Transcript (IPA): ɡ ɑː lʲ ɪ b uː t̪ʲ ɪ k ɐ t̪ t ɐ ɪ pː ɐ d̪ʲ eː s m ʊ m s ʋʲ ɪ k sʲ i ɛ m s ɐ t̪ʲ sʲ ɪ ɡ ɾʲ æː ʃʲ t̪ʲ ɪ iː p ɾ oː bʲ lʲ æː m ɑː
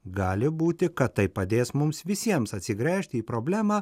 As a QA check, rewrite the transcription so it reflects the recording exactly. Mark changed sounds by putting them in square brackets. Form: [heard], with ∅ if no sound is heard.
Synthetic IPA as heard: ɡ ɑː lʲ ɪ b uː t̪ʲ ɪ k ɐ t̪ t ɐ ɪ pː ɐ d̪ʲ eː s m ʊ m s ʋʲ ɪ [∅] sʲ i ɛ m s ɐ t̪ʲ sʲ ɪ ɡ ɾʲ æː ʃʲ t̪ʲ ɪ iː p ɾ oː bʲ lʲ æː m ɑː